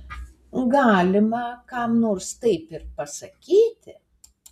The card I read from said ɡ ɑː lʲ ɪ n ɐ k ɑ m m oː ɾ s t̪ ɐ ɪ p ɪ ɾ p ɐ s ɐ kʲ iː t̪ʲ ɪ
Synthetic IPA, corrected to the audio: ɡ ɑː lʲ ɪ m ɐ k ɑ m n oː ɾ s t̪ ɐ ɪ p ɪ ɾ p ɐ s ɐ kʲ iː t̪ʲ ɪ